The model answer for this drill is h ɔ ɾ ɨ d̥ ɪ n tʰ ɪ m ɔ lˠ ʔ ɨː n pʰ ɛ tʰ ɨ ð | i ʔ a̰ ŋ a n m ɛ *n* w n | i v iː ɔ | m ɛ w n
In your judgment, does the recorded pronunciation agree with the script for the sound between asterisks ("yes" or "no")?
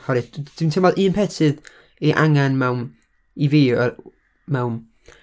no